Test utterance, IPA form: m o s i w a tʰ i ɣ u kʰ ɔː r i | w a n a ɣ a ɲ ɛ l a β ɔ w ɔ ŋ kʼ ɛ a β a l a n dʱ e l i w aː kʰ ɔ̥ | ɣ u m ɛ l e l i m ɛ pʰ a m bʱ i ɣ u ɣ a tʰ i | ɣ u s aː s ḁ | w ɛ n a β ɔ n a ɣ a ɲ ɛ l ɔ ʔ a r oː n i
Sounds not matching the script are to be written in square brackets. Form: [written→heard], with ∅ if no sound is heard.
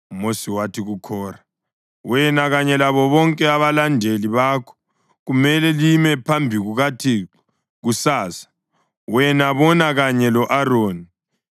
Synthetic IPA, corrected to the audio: m o s i w a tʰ i ɣ u kʰ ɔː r [i→a] | w [a→ɛ] n a ɣ a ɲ ɛ l a β ɔ [w→β] ɔ ŋ kʼ ɛ a β a l a n dʱ e l i [w→β] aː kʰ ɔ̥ | ɣ u m ɛ l [e→ɛ] l i m ɛ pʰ a m bʱ i ɣ u ɣ a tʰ i | ɣ u s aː s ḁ | w ɛ n a β ɔ n a ɣ a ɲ ɛ l ɔ ʔ a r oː n i

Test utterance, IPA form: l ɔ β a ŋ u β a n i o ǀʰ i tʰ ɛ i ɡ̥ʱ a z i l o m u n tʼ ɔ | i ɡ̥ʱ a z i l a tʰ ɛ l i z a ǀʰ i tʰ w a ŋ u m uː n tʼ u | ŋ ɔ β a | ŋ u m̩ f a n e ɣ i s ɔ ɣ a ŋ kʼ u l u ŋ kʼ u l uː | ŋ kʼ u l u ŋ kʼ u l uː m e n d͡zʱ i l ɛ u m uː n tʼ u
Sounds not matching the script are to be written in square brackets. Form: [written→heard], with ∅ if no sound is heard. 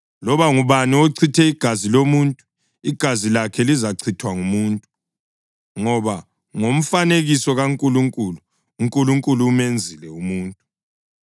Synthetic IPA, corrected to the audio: l ɔ β a ŋ u β a n i o ǀʰ i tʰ ɛ i ɡ̥ʱ a z i l o m u n tʼ [ɔ→u] | i ɡ̥ʱ a z i l a [tʰ→kʰ] ɛ l i z a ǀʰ i tʰ w a ŋ u m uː n tʼ u | ŋ ɔ β a | ŋ [u→o] m̩ f a n e ɣ i s ɔ ɣ a ŋ kʼ u l u ŋ kʼ u l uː | ŋ kʼ u l u ŋ kʼ u l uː m e n d͡zʱ i l ɛ u m uː n tʼ u

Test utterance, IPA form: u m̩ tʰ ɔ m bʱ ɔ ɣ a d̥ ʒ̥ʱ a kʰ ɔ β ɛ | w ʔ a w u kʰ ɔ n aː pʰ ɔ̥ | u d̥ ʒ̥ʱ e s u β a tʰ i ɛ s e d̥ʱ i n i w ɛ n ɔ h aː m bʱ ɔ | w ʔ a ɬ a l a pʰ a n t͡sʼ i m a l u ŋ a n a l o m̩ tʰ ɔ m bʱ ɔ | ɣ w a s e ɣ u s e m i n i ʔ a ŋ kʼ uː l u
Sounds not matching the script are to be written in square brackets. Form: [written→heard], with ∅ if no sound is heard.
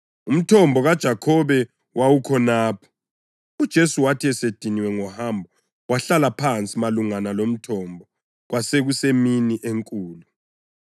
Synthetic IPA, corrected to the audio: u m̩ tʰ ɔ m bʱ ɔ ɣ a d̥ ʒ̥ʱ a kʰ ɔ β ɛ | w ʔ a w u kʰ ɔ n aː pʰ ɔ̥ | u d̥ ʒ̥ʱ e s u [β→w] a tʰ i ɛ s e d̥ʱ i n i w ɛ [n→ŋ] ɔ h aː m bʱ ɔ | w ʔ a ɬ a l a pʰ a n t͡sʼ i m a l u ŋ a n a l o m̩ tʰ ɔ m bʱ ɔ | ɣ w a s e ɣ u s e m i n i ʔ [a→e] ŋ kʼ uː l u

